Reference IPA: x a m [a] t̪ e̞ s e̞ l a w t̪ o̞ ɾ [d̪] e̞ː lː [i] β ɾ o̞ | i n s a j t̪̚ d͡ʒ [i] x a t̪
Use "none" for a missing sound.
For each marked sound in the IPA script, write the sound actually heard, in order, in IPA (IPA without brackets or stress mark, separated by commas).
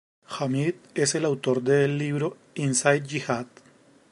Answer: i, d̪, i, i